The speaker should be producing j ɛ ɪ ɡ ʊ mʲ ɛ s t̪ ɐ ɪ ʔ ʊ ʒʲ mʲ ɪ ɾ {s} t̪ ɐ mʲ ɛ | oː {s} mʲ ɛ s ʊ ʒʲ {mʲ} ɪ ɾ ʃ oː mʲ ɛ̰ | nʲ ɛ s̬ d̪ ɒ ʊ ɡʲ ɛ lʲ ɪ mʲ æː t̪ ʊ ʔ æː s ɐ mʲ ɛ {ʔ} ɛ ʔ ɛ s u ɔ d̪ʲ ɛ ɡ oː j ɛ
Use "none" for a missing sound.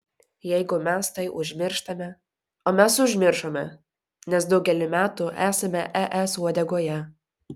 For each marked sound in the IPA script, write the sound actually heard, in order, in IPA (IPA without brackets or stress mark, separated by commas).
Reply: ʃ, none, mʲ, ʔ